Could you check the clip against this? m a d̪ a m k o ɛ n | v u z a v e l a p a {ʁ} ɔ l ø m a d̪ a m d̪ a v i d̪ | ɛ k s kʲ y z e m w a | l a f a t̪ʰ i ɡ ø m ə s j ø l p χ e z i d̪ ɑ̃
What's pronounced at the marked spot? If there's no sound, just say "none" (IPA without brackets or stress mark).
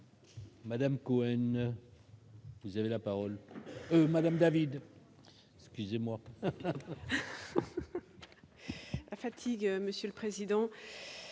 ʁ